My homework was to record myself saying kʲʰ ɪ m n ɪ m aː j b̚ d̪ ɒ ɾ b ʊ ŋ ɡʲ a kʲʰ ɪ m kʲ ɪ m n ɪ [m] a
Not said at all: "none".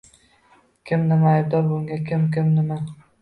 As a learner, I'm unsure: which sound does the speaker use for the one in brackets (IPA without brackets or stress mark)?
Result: m